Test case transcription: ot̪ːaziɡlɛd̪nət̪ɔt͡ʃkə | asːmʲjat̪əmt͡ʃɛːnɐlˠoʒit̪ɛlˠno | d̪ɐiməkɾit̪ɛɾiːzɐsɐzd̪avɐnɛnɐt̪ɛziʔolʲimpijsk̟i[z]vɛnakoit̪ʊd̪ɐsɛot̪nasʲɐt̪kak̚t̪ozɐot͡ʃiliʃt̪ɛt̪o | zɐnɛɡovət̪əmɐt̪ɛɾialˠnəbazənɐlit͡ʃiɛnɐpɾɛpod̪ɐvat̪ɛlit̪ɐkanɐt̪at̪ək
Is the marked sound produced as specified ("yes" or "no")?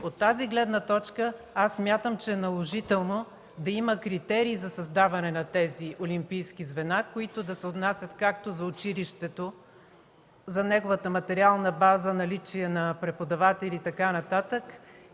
yes